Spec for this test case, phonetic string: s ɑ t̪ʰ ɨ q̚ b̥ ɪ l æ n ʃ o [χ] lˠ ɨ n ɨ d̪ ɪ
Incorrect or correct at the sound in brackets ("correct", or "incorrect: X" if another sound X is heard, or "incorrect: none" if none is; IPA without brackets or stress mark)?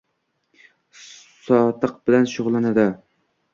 incorrect: ʁ